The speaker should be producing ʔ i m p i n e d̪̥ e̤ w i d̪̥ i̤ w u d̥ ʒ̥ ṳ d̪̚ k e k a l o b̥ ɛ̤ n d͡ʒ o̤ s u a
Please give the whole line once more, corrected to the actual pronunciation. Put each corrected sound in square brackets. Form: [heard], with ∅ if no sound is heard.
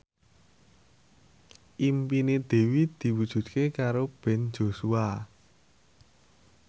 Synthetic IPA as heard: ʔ i m p i n e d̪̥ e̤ w i d̪̥ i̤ w u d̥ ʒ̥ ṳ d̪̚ k e k a [ɾ] o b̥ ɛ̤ n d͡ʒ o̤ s u a